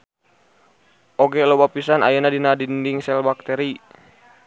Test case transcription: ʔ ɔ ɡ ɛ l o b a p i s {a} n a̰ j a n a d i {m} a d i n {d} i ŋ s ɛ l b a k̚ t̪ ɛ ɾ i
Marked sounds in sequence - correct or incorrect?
correct, incorrect: n, correct

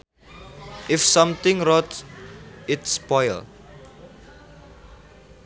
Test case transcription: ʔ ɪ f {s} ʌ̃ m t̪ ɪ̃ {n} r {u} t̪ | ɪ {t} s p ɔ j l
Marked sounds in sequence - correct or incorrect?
correct, incorrect: ŋ, incorrect: ɔ, correct

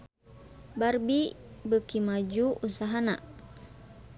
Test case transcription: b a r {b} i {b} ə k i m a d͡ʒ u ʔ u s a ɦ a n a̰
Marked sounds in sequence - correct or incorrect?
correct, correct

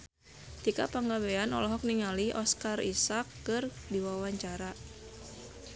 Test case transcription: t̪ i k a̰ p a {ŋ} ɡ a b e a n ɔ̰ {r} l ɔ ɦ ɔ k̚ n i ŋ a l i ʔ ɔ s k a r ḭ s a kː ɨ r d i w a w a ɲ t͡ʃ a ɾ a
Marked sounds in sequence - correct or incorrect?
correct, incorrect: none

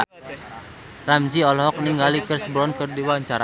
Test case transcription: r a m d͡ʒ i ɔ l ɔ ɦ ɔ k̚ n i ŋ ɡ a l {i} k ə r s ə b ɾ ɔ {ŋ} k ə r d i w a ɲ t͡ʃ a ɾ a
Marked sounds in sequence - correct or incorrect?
correct, incorrect: n

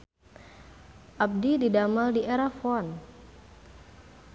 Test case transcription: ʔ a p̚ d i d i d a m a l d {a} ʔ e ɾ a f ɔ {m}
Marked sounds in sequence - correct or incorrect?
incorrect: i, incorrect: n

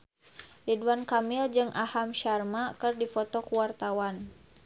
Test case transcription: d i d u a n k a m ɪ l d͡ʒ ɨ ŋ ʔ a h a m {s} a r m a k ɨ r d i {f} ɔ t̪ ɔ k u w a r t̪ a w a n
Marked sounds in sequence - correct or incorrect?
incorrect: ʃ, correct

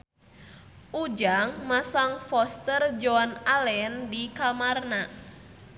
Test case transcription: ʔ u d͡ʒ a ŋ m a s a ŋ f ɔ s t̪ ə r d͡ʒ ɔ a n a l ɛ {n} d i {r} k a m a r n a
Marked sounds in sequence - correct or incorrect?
correct, incorrect: none

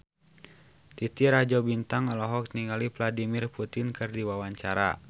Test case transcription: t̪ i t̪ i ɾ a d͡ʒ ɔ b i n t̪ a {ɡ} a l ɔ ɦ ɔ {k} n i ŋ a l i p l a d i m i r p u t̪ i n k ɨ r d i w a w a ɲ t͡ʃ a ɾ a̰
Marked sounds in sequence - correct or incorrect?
incorrect: ŋ, correct

